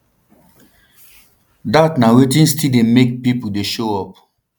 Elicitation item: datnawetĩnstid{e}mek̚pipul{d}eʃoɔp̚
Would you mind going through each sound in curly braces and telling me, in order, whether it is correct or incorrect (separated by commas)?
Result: correct, correct